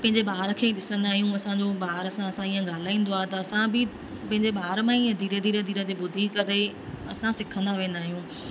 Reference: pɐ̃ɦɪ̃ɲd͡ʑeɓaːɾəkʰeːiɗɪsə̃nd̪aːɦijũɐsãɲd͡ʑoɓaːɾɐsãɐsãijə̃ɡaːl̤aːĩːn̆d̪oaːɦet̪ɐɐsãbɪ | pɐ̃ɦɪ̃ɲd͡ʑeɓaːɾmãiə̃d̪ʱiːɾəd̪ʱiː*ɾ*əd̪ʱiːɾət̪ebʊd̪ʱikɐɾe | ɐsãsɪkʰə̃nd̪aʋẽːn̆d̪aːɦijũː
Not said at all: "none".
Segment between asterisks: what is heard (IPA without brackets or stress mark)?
ɾ